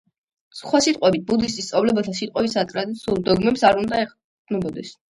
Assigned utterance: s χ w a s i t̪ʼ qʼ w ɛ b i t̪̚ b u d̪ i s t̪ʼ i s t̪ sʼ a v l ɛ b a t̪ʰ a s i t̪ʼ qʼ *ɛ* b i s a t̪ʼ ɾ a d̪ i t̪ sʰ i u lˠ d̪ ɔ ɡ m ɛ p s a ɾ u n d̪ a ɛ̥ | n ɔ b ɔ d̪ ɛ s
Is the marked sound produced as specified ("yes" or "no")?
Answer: yes